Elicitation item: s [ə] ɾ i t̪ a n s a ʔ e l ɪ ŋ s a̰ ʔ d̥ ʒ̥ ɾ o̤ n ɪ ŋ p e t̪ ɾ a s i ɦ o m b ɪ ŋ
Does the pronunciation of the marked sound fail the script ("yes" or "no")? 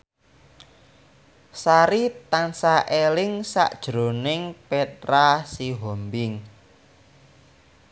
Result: yes